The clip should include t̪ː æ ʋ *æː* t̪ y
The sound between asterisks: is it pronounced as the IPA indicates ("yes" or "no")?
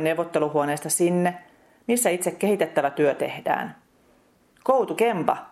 no